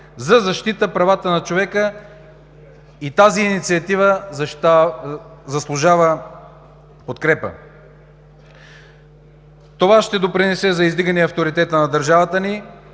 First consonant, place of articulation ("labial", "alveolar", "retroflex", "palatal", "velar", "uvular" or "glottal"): alveolar